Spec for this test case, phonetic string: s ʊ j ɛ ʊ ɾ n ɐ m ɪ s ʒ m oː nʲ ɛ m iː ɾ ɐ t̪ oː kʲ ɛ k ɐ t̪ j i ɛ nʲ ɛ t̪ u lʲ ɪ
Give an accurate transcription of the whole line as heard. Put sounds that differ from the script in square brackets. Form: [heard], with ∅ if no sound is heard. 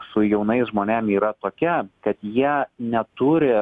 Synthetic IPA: s ʊ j ɛ ʊ [∅] n ɐ [∅] ɪ s ʒ m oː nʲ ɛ m iː ɾ ɐ t̪ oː kʲ ɛ k ɐ t̪ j i ɛ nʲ ɛ t̪ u [ɾʲ] ɪ